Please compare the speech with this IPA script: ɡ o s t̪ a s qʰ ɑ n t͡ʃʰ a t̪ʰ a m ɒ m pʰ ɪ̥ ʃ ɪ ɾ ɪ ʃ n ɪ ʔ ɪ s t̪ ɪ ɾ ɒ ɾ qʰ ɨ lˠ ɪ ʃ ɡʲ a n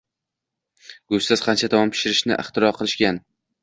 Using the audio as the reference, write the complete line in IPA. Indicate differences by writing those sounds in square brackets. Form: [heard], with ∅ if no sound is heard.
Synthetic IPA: ɡ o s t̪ a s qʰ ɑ n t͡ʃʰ a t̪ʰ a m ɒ m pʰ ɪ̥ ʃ ɪ ɾ ɪ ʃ n ɪ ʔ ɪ [χ] t̪ ɪ ɾ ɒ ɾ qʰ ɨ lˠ ɪ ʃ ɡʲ a n